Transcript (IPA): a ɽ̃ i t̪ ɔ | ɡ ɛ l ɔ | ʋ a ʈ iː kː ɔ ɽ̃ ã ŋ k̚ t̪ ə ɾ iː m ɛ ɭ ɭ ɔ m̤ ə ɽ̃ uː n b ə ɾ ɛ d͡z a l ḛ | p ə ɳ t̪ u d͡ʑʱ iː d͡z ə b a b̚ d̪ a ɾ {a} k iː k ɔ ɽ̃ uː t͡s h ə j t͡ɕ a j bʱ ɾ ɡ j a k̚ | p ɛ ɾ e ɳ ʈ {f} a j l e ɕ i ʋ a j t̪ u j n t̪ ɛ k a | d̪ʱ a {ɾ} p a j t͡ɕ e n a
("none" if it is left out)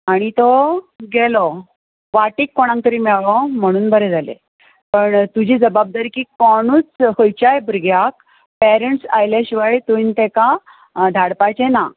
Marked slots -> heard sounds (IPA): i, s, ɽ

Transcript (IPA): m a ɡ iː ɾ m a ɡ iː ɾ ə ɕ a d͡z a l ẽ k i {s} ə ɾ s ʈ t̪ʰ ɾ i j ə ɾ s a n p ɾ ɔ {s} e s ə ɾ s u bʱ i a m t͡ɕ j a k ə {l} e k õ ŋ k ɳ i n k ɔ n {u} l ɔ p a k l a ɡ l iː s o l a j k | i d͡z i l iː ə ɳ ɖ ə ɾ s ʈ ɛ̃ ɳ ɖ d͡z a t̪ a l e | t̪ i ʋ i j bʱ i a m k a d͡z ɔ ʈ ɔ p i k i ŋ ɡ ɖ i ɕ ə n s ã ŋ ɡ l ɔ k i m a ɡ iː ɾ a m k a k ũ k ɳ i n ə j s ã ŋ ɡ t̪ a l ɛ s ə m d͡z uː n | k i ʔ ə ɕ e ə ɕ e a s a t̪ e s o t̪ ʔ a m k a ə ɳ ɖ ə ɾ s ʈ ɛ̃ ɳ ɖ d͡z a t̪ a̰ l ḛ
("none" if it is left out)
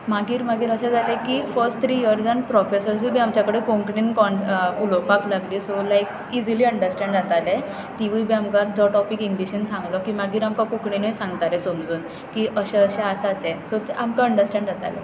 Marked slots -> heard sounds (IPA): f, f, ɽ, u

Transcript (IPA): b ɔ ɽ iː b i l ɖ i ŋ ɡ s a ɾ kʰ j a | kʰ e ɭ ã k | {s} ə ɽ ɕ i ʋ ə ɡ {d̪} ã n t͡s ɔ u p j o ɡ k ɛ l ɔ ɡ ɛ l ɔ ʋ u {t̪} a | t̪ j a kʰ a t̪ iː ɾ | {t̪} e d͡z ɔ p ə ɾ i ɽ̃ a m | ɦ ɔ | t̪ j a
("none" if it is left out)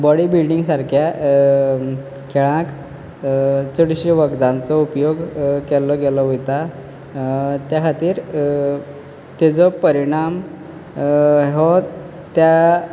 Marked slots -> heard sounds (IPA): t͡s, d̪, t̪, t̪

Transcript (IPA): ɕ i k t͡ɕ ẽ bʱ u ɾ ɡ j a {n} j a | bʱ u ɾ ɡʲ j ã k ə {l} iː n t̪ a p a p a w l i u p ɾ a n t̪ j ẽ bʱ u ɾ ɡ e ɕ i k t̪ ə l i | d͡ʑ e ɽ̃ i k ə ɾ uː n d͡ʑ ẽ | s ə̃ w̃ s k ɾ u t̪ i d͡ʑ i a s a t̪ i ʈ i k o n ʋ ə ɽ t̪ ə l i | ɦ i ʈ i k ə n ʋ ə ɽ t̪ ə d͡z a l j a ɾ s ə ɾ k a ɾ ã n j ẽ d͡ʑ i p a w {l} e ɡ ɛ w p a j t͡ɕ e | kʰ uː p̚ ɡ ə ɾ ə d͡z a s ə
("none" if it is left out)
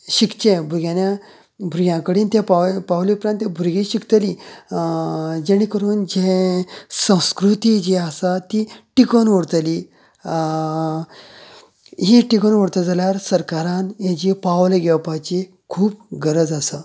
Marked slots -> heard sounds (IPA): n, ɽ, l

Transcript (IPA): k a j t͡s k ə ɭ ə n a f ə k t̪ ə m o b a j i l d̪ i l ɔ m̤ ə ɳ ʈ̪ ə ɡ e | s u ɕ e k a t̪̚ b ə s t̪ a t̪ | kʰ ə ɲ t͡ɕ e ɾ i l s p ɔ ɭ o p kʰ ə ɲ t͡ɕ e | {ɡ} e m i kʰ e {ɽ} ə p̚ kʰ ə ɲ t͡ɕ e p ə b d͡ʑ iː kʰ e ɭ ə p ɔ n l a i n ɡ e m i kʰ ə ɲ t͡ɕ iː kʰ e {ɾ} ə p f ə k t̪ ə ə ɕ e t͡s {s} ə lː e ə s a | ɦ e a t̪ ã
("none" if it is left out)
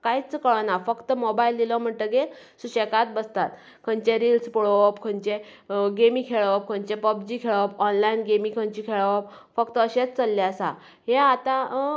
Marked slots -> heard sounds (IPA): ɡ, ɭ, ɭ, t͡s

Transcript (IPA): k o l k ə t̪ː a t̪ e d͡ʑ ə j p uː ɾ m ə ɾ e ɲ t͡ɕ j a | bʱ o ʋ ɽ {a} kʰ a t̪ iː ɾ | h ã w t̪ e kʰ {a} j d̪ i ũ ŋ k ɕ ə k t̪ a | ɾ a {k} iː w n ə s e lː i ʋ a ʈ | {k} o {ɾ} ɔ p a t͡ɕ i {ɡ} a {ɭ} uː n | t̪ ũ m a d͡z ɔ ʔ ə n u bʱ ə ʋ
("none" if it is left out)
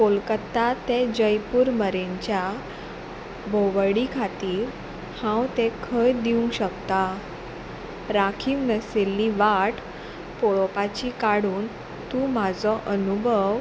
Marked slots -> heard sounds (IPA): i, ə, kʰ, p, ɭ, k, ɽ

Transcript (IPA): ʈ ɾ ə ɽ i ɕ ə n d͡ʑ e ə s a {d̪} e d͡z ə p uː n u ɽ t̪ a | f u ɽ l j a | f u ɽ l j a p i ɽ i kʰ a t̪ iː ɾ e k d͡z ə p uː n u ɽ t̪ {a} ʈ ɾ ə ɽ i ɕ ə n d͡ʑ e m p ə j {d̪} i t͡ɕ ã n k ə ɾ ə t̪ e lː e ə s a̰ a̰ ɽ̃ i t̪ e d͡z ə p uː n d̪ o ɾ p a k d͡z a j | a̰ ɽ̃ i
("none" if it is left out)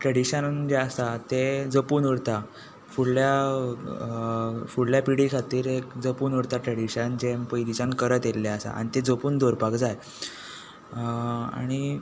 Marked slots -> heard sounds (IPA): t̪, a, d̪

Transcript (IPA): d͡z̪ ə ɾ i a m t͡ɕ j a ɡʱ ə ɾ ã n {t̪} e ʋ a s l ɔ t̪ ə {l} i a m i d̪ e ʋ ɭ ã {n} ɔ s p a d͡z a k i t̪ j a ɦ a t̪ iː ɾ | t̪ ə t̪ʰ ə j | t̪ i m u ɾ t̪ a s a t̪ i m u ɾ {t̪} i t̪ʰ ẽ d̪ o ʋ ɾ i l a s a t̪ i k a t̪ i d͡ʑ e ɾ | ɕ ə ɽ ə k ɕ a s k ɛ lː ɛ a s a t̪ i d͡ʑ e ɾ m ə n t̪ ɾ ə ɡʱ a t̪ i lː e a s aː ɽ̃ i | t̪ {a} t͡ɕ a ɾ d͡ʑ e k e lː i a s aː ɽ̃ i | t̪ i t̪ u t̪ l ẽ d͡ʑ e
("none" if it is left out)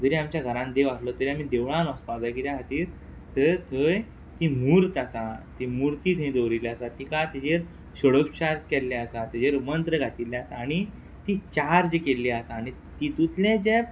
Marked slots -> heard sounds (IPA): d̪, ɾ, n, t̪, i

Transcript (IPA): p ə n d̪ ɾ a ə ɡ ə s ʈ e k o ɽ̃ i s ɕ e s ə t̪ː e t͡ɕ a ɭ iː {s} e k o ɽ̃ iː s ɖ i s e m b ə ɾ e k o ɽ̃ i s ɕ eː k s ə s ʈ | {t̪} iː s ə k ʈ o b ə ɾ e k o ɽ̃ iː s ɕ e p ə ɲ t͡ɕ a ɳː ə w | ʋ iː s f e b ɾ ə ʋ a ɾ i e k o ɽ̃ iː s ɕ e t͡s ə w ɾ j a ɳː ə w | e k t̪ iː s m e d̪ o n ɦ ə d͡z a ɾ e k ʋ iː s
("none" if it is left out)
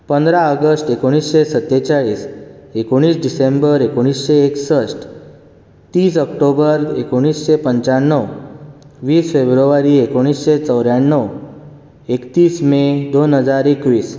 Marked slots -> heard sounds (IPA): s, t̪

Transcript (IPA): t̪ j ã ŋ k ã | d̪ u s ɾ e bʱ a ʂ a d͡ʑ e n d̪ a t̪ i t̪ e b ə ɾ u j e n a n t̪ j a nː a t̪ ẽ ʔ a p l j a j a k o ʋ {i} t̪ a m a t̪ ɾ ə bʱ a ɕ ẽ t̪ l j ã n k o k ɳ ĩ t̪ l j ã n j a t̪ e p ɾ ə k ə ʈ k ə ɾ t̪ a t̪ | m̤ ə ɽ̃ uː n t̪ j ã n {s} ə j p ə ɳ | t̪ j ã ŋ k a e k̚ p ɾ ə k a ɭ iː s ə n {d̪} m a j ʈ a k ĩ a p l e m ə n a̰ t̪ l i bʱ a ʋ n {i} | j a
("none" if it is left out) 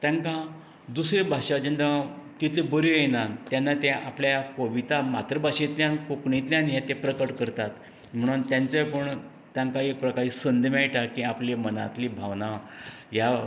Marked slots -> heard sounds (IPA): i, t͡s, d̪, a

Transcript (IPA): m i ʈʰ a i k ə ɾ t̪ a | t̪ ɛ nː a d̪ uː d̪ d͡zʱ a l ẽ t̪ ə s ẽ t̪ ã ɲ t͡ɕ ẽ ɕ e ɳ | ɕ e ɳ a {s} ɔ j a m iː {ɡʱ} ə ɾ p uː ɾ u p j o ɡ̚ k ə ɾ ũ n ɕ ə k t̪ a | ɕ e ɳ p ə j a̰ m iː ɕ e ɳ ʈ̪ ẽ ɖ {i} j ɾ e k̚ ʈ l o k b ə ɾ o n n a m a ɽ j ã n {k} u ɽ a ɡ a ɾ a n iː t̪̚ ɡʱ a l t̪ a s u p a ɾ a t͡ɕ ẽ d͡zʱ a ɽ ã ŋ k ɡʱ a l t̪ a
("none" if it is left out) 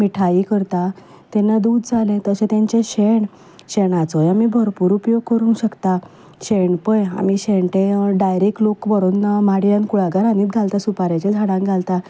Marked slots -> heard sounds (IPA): t͡s, bʱ, a, k

